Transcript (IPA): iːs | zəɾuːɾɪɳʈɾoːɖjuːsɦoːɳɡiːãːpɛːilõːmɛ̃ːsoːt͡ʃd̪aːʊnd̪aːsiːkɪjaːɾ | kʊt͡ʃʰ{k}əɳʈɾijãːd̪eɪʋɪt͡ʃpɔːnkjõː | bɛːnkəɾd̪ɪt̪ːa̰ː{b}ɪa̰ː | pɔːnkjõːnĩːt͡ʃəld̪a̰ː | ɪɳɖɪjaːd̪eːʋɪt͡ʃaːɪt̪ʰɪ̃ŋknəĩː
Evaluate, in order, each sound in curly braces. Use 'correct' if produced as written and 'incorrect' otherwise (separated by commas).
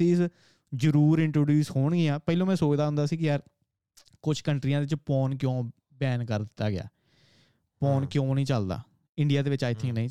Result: correct, incorrect